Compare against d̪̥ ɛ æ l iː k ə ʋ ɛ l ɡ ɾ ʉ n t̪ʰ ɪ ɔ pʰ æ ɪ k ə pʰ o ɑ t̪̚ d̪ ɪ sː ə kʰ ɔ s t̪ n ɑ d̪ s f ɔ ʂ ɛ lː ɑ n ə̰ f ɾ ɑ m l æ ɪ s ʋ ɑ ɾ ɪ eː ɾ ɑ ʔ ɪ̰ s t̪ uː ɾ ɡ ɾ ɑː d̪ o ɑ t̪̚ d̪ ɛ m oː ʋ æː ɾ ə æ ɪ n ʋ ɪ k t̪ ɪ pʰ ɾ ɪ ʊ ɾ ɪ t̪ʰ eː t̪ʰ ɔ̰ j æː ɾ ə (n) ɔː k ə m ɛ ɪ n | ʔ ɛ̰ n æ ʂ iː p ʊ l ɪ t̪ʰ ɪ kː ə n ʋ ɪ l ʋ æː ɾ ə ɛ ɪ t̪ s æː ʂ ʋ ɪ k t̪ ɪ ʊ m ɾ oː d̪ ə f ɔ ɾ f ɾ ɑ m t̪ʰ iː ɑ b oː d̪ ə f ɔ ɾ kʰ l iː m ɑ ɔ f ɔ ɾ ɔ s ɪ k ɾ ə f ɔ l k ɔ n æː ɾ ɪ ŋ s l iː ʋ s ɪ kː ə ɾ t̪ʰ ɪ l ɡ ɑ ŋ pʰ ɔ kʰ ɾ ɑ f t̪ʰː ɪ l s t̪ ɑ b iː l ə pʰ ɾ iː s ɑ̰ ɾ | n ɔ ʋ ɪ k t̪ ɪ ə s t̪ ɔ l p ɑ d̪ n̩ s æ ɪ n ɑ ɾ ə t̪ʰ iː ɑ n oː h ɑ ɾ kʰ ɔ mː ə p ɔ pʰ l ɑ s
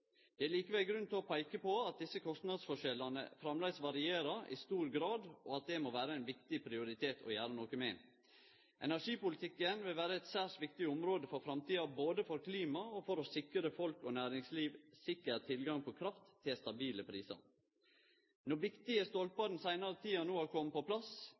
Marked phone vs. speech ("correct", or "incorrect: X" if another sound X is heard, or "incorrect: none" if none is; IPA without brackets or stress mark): correct